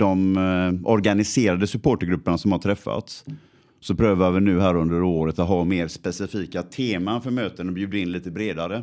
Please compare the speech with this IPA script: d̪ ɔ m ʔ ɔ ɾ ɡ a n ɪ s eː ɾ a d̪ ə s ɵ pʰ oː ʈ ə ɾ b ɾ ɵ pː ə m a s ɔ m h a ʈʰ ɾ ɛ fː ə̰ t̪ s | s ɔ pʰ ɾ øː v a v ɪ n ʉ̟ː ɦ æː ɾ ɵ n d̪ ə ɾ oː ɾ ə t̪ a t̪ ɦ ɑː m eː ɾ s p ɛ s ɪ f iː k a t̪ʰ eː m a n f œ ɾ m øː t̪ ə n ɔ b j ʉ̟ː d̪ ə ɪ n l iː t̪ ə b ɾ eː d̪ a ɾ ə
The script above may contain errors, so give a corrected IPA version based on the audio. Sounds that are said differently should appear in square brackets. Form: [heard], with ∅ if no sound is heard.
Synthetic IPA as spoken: d̪ ɔ m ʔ ɔ ɾ ɡ a n ɪ s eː ɾ a d̪ ə s ɵ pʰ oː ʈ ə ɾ [ɡ] ɾ ɵ pː ə [ɳ] a s ɔ m h a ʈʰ ɾ ɛ fː [a̰] t̪ s | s ɔ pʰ ɾ øː v a v ɪ n ʉ̟ː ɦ æː ɾ ɵ n d̪ ə ɾ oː ɾ ə t̪ a t̪ ɦ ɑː m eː ɾ s p ɛ s ɪ f iː k a t̪ʰ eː m a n f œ ɾ m øː t̪ ə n ɔ b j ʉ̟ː d̪ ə ɪ n l iː t̪ ə b ɾ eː d̪ a ɾ ə